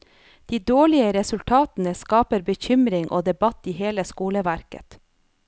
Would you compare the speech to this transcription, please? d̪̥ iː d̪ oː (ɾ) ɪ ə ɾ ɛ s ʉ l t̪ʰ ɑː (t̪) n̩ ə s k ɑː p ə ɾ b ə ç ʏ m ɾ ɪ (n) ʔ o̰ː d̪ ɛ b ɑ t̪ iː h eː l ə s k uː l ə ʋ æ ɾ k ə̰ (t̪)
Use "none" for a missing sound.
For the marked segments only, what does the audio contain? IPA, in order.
ɭ, t̪, ŋ, t̪

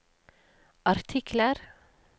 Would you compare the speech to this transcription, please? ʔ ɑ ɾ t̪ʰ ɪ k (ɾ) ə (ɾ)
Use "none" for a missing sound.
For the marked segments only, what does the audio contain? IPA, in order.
l, ɾ

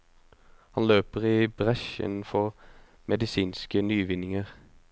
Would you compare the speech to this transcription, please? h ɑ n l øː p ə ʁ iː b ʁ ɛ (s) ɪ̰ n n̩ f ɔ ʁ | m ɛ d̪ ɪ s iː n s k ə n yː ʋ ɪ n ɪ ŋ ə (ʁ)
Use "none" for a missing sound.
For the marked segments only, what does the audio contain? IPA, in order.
ʃ, ʁ

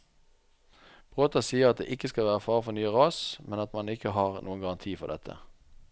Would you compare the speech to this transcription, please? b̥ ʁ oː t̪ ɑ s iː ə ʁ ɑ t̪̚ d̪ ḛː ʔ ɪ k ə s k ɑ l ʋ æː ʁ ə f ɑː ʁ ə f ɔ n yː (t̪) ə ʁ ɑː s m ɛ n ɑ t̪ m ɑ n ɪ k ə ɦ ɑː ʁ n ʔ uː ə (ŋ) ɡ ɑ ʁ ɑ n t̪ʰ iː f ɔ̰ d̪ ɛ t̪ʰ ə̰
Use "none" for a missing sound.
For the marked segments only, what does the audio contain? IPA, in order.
none, n

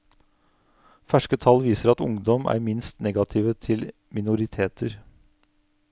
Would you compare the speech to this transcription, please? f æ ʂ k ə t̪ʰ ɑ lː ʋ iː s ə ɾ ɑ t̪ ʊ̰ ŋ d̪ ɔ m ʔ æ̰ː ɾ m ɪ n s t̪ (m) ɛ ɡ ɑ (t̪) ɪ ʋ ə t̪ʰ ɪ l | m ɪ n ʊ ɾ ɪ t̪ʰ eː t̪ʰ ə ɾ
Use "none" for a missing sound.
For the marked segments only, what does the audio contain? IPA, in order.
n, t̪ʰ

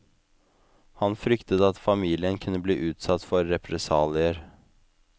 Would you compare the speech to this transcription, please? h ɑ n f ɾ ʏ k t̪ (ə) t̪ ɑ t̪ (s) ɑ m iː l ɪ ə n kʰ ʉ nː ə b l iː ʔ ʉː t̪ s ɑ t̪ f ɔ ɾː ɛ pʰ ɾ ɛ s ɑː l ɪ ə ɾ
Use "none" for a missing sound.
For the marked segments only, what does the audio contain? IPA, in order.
ə, f

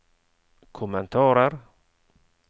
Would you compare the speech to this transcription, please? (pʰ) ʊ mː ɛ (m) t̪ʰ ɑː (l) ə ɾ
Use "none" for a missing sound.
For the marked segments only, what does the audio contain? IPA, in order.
kʰ, n, ɾ

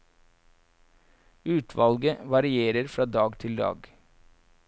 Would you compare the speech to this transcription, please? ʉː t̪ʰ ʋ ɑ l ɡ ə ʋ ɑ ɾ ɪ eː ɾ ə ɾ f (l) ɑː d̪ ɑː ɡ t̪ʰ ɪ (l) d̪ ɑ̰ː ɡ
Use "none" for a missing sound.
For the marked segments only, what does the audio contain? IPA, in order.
ɾ, l

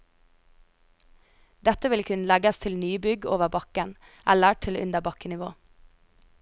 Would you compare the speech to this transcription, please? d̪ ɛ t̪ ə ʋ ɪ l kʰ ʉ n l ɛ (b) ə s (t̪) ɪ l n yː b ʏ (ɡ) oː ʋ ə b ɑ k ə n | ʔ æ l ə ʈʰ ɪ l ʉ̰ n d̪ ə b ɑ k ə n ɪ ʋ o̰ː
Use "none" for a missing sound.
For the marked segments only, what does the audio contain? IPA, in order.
ɡ, t̪ʰ, ɡ

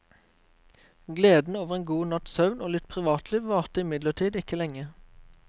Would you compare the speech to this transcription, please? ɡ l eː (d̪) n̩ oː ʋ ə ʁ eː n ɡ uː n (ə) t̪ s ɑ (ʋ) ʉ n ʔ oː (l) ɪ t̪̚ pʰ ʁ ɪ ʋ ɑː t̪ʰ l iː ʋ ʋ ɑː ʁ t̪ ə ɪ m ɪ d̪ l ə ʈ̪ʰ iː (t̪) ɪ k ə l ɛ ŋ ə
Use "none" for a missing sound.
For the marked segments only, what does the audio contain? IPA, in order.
d̪, ɑ, none, l, d̪

